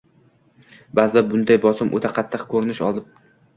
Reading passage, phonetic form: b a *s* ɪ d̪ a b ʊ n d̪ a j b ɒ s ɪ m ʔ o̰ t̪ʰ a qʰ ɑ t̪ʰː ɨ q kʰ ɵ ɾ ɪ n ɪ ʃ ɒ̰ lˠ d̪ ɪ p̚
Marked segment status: incorrect: z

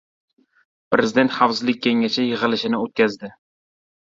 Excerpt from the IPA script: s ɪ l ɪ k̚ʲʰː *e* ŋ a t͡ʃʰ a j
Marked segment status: correct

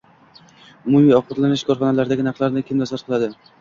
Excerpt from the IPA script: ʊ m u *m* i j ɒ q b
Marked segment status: correct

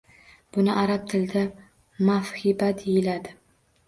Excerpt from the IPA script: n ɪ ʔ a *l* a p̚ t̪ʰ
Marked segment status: incorrect: ɾ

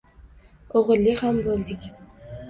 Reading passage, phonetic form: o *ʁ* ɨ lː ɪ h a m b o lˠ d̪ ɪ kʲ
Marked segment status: correct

